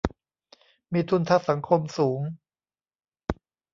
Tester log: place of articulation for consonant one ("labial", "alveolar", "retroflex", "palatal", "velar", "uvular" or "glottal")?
labial